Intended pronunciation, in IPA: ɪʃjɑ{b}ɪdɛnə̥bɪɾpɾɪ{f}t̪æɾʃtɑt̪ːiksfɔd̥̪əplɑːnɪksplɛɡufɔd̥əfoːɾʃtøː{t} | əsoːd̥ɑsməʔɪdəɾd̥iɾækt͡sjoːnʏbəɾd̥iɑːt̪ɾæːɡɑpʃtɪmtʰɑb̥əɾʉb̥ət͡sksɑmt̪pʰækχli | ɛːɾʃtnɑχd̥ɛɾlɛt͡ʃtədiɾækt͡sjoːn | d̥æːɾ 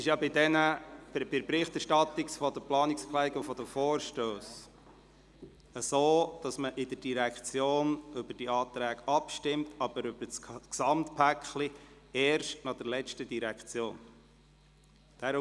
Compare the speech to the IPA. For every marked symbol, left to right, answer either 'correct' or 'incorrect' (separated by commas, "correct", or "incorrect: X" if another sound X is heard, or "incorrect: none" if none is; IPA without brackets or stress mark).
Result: correct, incorrect: χ, incorrect: s